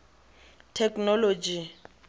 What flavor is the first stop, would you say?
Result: aspirated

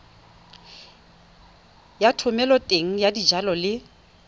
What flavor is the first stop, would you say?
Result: aspirated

